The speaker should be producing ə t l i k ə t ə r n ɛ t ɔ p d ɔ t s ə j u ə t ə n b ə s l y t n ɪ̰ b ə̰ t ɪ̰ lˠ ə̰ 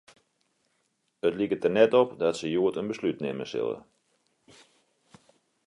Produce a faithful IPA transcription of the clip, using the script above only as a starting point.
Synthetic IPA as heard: ə t l i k ə t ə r n ɛ t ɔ p d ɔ t s ə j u ə t ə n b ə s l y t n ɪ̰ m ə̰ s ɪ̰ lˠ ə̰